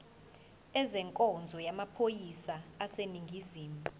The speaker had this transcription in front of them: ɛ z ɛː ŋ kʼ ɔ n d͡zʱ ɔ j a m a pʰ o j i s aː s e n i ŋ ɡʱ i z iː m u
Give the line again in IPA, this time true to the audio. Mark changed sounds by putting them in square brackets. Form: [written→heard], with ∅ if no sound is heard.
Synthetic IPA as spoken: ɛ z [ɛː→ɛ] ŋ kʼ ɔ n d͡zʱ ɔ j a m a pʰ o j i s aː s e n i ŋ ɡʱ i z iː m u